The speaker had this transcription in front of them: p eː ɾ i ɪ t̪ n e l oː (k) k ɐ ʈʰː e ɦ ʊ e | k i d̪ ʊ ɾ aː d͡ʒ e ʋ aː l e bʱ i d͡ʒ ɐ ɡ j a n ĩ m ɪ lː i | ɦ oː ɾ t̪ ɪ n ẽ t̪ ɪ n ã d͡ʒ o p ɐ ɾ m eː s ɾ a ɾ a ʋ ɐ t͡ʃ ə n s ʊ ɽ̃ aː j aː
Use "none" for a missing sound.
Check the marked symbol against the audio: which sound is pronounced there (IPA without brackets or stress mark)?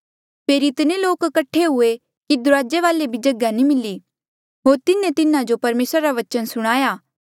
k